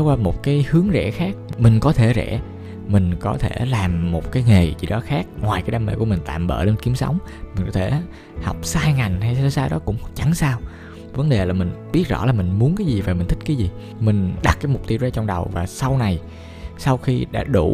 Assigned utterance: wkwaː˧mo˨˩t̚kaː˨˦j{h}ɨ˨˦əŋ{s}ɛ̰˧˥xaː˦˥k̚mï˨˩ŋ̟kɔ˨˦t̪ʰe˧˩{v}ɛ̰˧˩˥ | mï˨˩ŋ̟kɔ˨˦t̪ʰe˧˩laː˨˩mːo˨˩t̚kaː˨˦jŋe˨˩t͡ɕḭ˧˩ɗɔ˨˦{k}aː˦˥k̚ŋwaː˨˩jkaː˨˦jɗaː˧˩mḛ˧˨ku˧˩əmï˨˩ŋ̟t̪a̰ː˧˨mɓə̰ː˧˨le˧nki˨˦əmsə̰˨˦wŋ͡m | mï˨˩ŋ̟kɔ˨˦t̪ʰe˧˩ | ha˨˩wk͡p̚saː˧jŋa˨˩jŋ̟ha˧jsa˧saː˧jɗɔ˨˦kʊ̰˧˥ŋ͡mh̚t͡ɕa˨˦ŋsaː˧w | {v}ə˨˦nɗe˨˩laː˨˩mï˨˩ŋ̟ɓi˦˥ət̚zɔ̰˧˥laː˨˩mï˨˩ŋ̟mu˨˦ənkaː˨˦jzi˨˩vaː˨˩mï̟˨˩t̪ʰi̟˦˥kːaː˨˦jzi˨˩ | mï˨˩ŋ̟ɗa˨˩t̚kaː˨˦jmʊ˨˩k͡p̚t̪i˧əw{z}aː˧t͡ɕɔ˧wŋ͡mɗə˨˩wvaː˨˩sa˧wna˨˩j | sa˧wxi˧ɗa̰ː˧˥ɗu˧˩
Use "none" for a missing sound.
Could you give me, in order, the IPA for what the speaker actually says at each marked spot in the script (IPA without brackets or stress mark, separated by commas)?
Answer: h, z, z, x, v, z